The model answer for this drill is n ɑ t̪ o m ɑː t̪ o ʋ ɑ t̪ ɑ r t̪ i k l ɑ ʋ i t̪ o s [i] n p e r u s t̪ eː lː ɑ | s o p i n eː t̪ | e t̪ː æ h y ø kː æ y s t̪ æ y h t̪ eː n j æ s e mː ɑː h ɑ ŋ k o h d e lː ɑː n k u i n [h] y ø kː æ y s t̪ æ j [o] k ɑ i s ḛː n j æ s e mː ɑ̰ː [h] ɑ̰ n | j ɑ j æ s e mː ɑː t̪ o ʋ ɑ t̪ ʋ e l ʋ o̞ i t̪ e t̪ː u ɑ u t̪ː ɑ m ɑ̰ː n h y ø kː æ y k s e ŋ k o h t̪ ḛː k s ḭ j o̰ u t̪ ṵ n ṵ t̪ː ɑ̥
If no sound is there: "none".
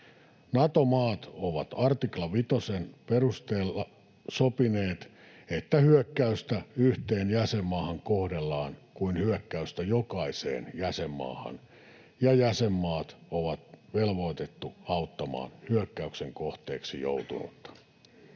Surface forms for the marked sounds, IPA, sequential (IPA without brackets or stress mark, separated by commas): e, h, o, h